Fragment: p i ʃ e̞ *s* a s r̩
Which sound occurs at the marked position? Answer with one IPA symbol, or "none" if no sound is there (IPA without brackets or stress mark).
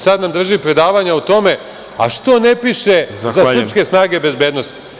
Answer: z